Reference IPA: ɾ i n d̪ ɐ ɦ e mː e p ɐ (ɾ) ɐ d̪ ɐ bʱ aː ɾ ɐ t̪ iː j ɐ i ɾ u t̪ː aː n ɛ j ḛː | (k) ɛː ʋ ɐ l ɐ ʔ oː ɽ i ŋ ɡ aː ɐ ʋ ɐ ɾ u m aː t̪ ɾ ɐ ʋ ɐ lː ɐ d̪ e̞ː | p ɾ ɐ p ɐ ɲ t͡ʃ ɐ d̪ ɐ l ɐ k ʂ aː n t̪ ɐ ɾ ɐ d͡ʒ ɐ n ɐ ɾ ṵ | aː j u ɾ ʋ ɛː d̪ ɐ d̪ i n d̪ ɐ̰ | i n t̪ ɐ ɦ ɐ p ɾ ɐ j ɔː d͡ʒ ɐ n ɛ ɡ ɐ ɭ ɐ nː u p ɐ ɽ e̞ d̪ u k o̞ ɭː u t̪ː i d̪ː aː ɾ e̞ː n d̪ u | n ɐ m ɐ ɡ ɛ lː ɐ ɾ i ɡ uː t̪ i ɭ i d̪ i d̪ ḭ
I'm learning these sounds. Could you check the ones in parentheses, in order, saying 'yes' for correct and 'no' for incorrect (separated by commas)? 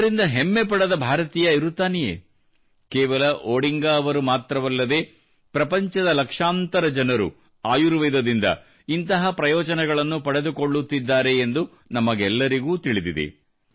no, yes